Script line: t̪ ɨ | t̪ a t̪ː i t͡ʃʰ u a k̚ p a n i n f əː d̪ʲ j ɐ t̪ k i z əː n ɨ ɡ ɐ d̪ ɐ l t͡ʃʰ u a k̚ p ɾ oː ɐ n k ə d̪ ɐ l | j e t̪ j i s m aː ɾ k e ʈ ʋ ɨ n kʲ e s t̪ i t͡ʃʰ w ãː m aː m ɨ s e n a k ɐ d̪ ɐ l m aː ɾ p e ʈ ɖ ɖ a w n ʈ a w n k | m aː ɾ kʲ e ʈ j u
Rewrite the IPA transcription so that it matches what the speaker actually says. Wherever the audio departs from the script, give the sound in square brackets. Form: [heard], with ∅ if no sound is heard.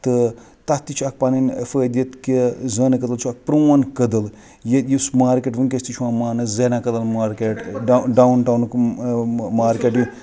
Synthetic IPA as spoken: t̪ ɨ | t̪ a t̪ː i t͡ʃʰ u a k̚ p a n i n f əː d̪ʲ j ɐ t̪ k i z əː n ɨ [k] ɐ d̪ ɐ l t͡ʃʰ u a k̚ p ɾ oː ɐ n k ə d̪ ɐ l | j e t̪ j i s m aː ɾ k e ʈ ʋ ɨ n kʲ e s t̪ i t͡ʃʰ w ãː m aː [n] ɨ [z] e n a k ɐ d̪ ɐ l m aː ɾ [k] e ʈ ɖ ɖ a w n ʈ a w n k | m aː ɾ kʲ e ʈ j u